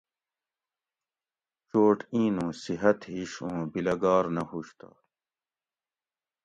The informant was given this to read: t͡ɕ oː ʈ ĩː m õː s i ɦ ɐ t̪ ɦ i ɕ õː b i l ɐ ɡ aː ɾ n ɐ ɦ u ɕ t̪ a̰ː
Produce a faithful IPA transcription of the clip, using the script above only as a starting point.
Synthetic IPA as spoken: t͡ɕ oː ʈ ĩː n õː s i ɦ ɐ t̪ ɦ i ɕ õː b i l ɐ ɡ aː ɾ n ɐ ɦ u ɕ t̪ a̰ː